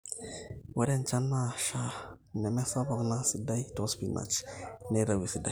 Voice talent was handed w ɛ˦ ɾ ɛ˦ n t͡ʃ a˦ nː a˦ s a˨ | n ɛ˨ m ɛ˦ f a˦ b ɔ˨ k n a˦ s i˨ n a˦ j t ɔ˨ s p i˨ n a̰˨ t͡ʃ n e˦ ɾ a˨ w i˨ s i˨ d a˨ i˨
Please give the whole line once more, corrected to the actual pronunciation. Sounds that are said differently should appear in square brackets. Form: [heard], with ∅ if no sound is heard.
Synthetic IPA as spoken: w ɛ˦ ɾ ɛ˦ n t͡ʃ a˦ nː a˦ [ʃ] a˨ | n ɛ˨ m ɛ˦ [s] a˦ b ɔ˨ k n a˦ s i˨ [d] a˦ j t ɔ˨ s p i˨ n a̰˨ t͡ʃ n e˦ ɾ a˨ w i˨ s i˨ d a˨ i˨